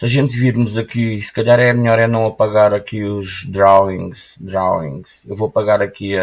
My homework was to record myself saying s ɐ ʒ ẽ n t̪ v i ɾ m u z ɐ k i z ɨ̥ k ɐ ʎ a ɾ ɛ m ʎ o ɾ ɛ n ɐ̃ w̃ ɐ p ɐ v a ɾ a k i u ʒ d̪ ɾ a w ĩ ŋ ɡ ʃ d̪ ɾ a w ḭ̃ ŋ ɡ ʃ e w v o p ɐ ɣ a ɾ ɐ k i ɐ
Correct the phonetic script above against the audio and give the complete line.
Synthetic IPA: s ɐ ʒ ẽ n t̪ v i ɾ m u z ɐ k i s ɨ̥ k ɐ ʎ a ɾ ɛ m ʎ ɔ ɾ ɛ n ɐ̃ w̃ ɐ p ɐ ɣ a ɾ ɐ k i u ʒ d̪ ɾ a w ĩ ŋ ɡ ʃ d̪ ɾ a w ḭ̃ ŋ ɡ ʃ e w v o p ɐ ɣ a ɾ ɐ k i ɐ